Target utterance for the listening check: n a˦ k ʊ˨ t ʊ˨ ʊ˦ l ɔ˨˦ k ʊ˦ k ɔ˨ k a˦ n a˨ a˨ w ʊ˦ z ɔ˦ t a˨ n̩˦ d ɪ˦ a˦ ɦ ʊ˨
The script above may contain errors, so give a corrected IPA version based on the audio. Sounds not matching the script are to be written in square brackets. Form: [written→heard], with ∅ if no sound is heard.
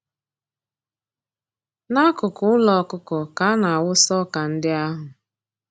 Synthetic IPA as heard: n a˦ k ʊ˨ [t→k] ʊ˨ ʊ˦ l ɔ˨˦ k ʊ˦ k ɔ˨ k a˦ n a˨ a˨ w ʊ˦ [z→s] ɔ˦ [t→k] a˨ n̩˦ d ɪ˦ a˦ ɦ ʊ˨